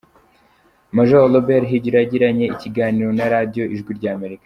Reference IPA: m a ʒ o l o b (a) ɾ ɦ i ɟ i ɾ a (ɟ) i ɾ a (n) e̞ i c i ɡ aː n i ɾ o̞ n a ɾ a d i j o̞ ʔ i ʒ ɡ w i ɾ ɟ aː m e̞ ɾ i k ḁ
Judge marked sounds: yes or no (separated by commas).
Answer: no, yes, no